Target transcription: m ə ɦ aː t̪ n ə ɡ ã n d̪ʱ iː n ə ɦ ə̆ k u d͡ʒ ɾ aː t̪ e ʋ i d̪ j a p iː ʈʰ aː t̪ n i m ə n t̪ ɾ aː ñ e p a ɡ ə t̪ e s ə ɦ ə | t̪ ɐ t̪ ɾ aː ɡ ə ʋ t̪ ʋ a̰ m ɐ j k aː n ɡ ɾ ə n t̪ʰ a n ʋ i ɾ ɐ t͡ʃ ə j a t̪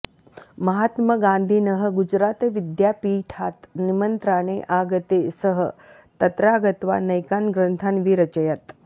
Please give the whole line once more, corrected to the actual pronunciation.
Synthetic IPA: m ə ɦ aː t̪ m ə ɡ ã n d̪ʱ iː n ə ɦ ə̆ ɡ u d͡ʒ ɾ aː t̪ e ʋ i d̪ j a p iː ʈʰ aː t̪ n i m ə n t̪ ɾ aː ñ e ʔ a ɡ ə t̪ e s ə ɦ ə | t̪ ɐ t̪ ɾ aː ɡ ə t̪ ʋ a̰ n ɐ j k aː n ɡ ɾ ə n t̪ʰ a n ʋ i ɾ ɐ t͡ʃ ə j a t̪

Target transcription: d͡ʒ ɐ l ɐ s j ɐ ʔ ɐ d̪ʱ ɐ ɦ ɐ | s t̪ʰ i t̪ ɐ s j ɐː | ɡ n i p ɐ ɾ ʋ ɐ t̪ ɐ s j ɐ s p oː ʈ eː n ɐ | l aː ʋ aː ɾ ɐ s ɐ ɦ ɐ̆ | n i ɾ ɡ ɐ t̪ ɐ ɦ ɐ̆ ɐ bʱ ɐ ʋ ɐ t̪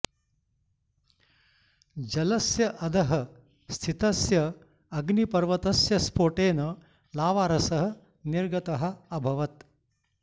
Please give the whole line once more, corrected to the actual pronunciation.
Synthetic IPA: d͡ʒ ɐ l ɐ s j ɐ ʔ ɐ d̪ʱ ɐ ɦ ɐ | s t̪ʰ i t̪ ɐ s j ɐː | ɡ n i p ɐ ɾ ʋ ɐ t̪ ɐ s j ɐ s p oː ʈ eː n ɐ | l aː ʋ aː ɾ ɐ s ɐ ɦ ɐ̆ | n i ɾ ɡ ɐ t̪ ɐ ɦ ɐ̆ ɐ bʱ ɐ ʋ ɐ t̪

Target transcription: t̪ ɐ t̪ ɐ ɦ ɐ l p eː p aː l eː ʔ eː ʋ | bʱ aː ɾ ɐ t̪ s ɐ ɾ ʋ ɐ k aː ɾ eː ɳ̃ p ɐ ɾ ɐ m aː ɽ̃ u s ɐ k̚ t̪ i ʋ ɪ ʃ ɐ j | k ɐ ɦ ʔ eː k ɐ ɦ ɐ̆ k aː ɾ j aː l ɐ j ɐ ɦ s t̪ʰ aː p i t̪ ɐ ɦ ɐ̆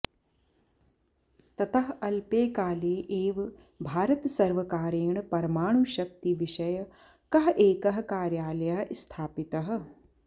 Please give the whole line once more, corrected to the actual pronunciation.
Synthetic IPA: t̪ ɐ t̪ ɐ ɦ ɐ l p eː k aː l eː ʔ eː ʋ | bʱ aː ɾ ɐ t̪ s ɐ ɾ ʋ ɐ k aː ɾ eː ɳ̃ p ɐ ɾ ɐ m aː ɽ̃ u ʃ ɐ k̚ t̪ i ʋ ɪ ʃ ɐ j | k ɐ ɦ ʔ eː k ɐ ɦ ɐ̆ k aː ɾ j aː l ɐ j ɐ ɦ s t̪ʰ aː p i t̪ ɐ ɦ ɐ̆

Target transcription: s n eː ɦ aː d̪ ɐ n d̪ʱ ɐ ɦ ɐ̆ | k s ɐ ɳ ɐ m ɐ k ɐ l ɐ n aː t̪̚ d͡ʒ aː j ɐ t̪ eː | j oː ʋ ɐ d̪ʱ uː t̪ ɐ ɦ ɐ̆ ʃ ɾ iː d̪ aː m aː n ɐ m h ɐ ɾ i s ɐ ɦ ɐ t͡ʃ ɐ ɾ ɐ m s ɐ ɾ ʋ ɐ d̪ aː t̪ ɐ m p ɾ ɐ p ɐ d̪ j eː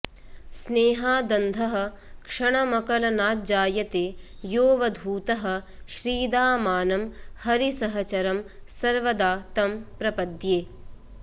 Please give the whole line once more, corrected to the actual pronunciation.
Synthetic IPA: s n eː ɦ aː d̪ ɐ n d̪ʱ ɐ ɦ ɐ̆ | k ʂ ɐ ɳ ɐ m ɐ k ɐ l ɐ n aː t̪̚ d͡ʒ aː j ɐ t̪ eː | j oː ʋ ɐ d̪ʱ uː t̪ ɐ ɦ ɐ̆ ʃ ɾ iː d̪ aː m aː n ɐ m h ɐ ɾ i s ɐ ɦ ɐ t͡ʃ ɐ ɾ ɐ m s ɐ ɾ ʋ ɐ d̪ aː t̪ ɐ m p ɾ ɐ p ɐ d̪ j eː

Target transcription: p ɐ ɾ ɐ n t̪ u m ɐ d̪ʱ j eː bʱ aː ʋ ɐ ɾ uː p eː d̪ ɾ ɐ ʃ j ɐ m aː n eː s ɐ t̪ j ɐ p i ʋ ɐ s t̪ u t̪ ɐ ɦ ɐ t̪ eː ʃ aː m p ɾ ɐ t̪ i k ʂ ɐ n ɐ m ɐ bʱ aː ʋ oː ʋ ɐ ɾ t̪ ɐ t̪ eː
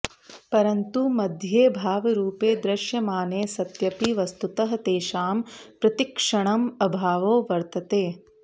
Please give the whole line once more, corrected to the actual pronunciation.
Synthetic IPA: p ɐ ɾ ɐ n t̪ u m ɐ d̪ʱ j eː bʱ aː ʋ ɐ ɾ uː p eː d̪ ɾ ɐ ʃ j ɐ m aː n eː s ɐ t̪ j ɐ p i ʋ ɐ s t̪ u t̪ ɐ ɦ ɐ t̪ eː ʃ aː m p ɾ ɐ t̪ i k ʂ ɐ ɳ ɐ m ɐ bʱ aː ʋ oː ʋ ɐ ɾ t̪ ɐ t̪ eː

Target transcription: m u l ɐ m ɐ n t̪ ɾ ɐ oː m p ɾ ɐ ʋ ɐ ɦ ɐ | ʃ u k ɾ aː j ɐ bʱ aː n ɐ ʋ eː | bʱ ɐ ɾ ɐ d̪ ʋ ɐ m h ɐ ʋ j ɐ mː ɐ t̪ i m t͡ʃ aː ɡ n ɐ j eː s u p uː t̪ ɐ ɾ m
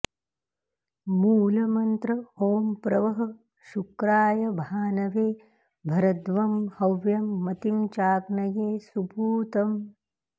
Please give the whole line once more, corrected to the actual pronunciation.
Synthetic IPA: m uː l ɐ m ɐ n t̪ ɾ ɐ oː m p ɾ ɐ ʋ ɐ ɦ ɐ | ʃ u k ɾ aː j ɐ bʱ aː n ɐ ʋ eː | bʱ ɐ ɾ ɐ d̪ ʋ ɐ m h ɐ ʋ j ɐ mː ɐ t̪ i m t͡ʃ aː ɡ n ɐ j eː s u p uː t̪ ɐ m

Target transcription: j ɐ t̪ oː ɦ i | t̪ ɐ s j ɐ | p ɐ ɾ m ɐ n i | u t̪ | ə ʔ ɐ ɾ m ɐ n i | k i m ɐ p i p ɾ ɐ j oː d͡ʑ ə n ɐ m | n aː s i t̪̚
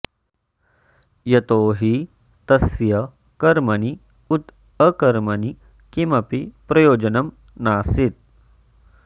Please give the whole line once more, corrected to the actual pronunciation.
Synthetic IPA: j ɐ t̪ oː ɦ i | t̪ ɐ s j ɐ | k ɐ ɾ m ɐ n i | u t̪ | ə k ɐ ɾ m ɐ n i | k i m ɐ p i p ɾ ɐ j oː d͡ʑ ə n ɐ m | n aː s i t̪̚

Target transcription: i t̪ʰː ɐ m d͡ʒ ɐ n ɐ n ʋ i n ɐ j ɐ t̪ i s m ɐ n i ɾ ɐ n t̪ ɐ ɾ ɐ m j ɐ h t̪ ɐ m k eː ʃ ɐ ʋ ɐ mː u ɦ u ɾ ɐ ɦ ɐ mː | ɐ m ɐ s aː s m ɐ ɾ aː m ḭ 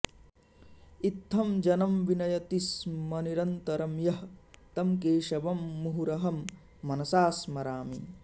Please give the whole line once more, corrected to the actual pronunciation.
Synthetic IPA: i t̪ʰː ɐ m d͡ʒ ɐ n ɐ m ʋ i n ɐ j ɐ t̪ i s m ɐ n i ɾ ɐ n t̪ ɐ ɾ ɐ m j ɐ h t̪ ɐ m k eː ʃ ɐ ʋ ɐ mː u ɦ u ɾ ɐ ɦ ɐ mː | ɐ n ɐ s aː s m ɐ ɾ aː m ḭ

